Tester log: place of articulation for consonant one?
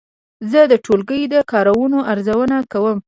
alveolar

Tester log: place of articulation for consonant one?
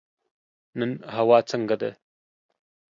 alveolar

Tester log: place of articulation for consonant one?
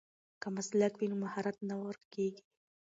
velar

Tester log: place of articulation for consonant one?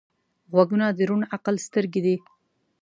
velar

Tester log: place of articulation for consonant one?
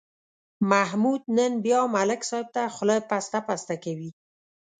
labial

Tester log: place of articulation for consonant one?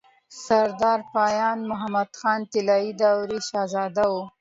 alveolar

